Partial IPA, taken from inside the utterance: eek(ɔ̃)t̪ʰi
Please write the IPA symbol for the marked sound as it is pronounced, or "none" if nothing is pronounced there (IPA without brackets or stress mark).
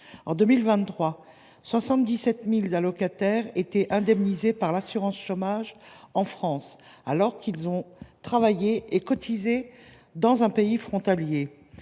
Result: ɔ